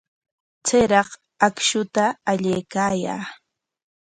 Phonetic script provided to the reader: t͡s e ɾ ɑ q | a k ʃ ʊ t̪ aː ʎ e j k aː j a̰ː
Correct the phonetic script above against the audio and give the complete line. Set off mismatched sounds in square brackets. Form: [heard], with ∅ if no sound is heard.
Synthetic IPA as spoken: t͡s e ɾ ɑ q | a k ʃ ʊ t̪ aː ʎ e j k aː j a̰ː